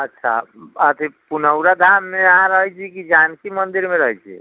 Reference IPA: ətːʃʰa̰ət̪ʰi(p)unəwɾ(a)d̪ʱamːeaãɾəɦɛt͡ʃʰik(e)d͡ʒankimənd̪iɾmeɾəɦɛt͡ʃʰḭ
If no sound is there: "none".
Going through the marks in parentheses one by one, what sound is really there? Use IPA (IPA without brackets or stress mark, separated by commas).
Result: p, a, i